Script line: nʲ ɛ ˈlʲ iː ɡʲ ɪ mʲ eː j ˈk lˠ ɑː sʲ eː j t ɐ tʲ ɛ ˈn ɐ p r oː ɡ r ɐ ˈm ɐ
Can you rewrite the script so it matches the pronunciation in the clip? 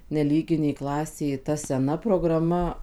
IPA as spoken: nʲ ɛ ˈlʲ iː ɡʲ ɪ nʲ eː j ˈk lˠ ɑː sʲ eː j t ɐ sʲ ɛ ˈn ɐ p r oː ɡ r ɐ ˈm ɐ